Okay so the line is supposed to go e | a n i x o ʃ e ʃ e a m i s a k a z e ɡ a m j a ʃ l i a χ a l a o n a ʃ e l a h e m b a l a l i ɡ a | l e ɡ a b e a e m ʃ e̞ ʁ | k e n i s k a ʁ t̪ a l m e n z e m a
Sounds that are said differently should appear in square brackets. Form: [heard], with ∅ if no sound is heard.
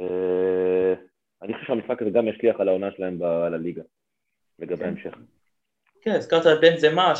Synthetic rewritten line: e | a n i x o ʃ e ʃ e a m i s a k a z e ɡ a m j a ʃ l i a χ a l a o n a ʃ e l a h e m b a l a l i ɡ a | l e ɡ a b e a e m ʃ e̞ [χ] | k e n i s k a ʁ t̪ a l [b] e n z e m a